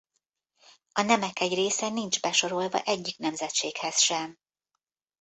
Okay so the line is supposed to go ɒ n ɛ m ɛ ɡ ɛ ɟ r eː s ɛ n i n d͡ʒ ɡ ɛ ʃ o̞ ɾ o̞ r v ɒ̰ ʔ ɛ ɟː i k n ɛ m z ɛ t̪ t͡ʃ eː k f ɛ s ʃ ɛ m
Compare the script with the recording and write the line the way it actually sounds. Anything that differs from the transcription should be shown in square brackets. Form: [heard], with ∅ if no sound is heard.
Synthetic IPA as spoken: ɒ n ɛ m ɛ [k] ɛ ɟ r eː s ɛ n i n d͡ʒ [b] ɛ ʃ o̞ ɾ o̞ [l] v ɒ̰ ʔ ɛ ɟː i k n ɛ m z ɛ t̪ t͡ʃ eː k [h] ɛ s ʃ ɛ m